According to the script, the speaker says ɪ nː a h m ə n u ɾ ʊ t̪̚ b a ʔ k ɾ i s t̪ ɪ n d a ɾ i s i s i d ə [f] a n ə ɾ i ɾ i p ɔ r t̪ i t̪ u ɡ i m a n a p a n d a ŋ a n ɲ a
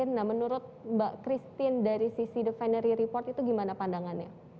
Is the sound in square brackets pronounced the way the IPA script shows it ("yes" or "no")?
yes